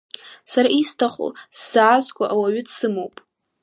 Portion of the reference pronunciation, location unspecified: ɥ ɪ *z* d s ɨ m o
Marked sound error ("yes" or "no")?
yes